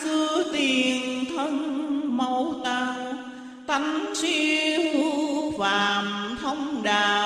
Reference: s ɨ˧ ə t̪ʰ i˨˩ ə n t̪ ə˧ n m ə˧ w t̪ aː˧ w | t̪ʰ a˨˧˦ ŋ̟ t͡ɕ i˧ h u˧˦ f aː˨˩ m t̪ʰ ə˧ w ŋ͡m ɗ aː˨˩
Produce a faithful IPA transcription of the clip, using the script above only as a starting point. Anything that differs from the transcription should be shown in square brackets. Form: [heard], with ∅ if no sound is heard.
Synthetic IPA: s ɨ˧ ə [t̪] i˨˩ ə n [t̪ʰ] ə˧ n m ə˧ w t̪ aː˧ w | [t̪] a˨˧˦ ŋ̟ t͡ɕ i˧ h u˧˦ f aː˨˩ m t̪ʰ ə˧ w ŋ͡m ɗ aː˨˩